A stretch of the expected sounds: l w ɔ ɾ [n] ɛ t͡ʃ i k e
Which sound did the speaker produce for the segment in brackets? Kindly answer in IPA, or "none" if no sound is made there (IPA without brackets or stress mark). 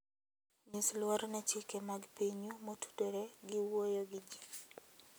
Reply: n